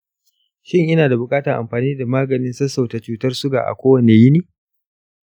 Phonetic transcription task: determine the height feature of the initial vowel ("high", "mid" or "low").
high